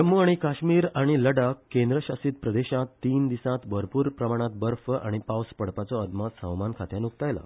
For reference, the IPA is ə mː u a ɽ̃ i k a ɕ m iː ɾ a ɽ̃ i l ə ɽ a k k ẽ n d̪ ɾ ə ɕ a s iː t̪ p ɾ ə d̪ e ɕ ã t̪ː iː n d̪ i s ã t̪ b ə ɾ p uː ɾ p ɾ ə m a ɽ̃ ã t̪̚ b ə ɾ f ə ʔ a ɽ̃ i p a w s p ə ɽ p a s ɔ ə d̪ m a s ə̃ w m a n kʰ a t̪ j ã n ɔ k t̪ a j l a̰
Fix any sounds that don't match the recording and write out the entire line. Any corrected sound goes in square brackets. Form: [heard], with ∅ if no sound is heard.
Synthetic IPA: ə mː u a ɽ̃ i k a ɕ m iː ɾ a ɽ̃ i l ə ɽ a k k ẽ n d̪ ɾ ə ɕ a s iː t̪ p ɾ ə d̪ e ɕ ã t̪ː iː n d̪ i s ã t̪ b ə ɾ p uː ɾ p ɾ ə m a ɽ̃ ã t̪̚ b ə ɾ f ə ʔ a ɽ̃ i p a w s p ə ɽ p a [t͡s] ɔ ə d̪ m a s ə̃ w m a n kʰ a t̪ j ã n [u] k t̪ a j l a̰